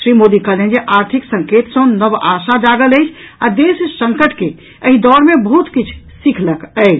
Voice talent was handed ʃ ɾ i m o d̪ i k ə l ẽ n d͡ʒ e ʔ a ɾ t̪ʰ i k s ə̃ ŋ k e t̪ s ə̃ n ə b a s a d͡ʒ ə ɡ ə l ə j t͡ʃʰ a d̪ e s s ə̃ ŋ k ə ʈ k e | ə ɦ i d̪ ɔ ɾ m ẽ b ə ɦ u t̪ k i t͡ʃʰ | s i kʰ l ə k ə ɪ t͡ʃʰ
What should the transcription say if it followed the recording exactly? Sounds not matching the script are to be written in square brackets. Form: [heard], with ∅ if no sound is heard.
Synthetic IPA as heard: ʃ ɾ i m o d̪ i k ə l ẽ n d͡ʒ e ʔ a ɾ t̪ʰ i k s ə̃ ŋ k e t̪ s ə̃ n ə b a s a d͡ʒ [a] ɡ ə l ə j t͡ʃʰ a d̪ e s s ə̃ ŋ k ə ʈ k e | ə ɦ i d̪ ɔ ɾ m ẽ b ə ɦ u t̪ k i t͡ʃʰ | s i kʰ l ə k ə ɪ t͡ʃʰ